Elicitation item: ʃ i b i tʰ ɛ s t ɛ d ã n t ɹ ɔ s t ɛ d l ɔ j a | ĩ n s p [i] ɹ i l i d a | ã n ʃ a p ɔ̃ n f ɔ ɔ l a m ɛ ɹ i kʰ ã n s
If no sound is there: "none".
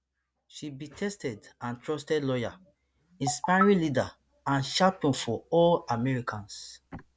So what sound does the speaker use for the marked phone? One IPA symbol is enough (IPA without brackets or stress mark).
a